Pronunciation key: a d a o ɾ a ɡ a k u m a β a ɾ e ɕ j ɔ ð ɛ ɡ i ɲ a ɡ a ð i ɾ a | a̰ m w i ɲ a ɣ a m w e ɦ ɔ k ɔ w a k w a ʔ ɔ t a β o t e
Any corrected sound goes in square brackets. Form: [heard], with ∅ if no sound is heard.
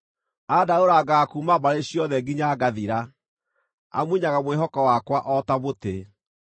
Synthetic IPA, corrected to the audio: a d a o ɾ a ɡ a k u m a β a ɾ e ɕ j ɔ ð ɛ ɡ i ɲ a ɡ a ð i ɾ a | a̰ m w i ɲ a ɣ a m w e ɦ ɔ k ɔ w a k w a ʔ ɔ t a β o t e